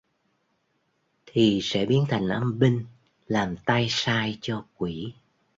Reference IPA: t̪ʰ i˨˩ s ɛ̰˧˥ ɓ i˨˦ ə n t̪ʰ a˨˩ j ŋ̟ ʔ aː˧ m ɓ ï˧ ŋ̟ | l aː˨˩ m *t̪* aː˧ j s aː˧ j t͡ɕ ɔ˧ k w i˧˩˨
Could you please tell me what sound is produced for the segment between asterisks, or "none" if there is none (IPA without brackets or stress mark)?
t̪